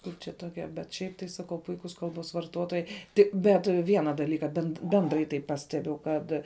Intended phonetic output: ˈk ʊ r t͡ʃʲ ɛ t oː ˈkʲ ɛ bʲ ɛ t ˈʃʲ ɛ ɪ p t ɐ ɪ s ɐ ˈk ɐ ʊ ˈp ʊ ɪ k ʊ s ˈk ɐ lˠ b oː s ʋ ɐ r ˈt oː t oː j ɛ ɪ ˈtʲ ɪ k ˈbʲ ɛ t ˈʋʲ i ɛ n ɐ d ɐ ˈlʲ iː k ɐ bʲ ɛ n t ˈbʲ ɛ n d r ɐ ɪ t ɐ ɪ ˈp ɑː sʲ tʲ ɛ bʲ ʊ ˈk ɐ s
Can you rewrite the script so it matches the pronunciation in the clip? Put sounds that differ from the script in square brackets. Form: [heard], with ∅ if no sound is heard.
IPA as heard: ˈk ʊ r t͡ʃʲ ɛ t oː ˈkʲ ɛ bʲ ɛ t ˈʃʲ ɛ ɪ p t ɐ ɪ s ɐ ˈk ɐ ʊ ˈp ʊ ɪ k ʊ s ˈk ɐ lˠ b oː s ʋ ɐ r ˈt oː t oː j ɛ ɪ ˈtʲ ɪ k ˈbʲ ɛ t ˈʋʲ i ɛ n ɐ d ɐ ˈlʲ iː k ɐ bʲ ɛ n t ˈbʲ ɛ n d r ɐ ɪ t ɐ ɪ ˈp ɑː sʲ tʲ ɛ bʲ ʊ ˈk ɐ [t]

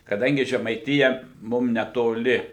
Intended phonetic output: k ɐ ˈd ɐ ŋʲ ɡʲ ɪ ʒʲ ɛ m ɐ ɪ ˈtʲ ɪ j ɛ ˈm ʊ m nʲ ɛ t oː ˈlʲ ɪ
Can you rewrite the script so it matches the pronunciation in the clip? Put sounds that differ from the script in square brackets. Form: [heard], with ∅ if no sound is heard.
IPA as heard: k ɐ ˈd ɐ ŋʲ ɡʲ ɪ ʒʲ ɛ m ɐ ɪ ˈtʲ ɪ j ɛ ˈm ʊ m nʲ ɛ t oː ˈlʲ ɪ

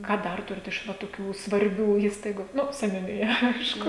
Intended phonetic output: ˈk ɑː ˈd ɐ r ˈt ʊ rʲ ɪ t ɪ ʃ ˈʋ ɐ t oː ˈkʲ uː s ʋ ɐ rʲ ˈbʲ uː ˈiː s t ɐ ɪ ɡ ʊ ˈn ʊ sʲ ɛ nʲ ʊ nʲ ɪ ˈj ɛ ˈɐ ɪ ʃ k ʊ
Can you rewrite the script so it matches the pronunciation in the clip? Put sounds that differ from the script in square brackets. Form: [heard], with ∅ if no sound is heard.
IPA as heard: ˈk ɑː ˈd ɐ r ˈt ʊ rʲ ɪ t ɪ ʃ ˈʋ ɐ t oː ˈkʲ uː s ʋ ɐ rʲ ˈbʲ uː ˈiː s t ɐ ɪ ɡ ʊ ˈn ʊ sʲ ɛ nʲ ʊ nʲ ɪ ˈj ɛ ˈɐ ɪ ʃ k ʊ

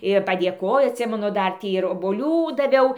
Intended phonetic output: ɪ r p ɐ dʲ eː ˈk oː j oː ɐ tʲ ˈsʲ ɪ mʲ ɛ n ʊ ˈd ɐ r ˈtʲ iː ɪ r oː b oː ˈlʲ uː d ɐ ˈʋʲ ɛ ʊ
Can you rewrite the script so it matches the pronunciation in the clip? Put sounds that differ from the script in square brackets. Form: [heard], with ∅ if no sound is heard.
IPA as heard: ɪ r p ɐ dʲ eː ˈk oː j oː ɐ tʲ ˈsʲ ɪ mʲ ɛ n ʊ ˈd ɐ r ˈtʲ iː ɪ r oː b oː ˈlʲ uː d ɐ ˈʋʲ ɛ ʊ

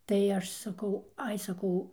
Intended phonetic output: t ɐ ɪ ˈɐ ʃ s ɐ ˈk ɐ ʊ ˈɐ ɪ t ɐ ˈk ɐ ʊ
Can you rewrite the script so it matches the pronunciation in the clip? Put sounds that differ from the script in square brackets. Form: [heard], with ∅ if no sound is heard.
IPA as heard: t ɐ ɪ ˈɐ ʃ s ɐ ˈk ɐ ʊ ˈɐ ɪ [s] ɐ ˈk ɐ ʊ

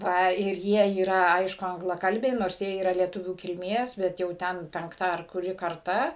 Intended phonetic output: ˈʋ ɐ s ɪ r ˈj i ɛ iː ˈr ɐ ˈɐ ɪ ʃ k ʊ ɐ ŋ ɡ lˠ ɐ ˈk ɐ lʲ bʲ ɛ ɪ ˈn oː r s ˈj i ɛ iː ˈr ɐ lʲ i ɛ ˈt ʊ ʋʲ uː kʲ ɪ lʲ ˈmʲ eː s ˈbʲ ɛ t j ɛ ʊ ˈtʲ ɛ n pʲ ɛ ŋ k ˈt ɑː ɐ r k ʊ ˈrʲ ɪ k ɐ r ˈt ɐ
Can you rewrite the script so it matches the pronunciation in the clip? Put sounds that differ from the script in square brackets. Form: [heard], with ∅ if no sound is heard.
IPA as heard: ˈʋ ɐ [∅] ɪ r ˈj i ɛ iː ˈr ɐ ˈɐ ɪ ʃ k ʊ ɐ ŋ ɡ lˠ ɐ ˈk ɐ lʲ bʲ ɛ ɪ ˈn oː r s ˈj i ɛ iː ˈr ɐ lʲ i ɛ ˈt ʊ ʋʲ uː kʲ ɪ lʲ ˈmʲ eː s ˈbʲ ɛ t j ɛ ʊ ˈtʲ ɛ n pʲ ɛ ŋ k ˈt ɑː ɐ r k ʊ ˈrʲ ɪ k ɐ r ˈt ɐ

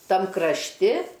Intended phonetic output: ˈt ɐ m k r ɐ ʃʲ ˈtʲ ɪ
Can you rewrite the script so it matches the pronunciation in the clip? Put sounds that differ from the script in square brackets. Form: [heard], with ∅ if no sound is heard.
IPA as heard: ˈt ɐ m k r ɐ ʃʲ ˈtʲ ɪ

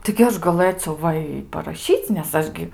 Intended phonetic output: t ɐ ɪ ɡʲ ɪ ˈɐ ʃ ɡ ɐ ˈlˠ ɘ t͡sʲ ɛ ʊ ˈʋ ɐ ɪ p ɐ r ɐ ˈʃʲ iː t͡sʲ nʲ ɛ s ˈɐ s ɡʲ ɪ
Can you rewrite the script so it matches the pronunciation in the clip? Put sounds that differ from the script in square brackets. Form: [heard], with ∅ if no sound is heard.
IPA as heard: t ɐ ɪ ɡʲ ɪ ˈɐ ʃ ɡ ɐ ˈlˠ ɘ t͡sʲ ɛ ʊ ˈʋ ɐ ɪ p ɐ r ɐ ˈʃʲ iː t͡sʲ nʲ ɛ s ˈɐ [ʃ] ɡʲ ɪ

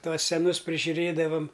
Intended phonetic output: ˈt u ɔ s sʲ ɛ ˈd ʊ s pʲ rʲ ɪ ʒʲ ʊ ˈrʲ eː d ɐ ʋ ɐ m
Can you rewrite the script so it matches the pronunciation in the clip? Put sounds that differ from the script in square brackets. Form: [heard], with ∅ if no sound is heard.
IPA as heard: ˈt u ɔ s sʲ ɛ [ˈn] ʊ s pʲ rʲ ɪ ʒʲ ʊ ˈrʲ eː d ɐ ʋ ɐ m

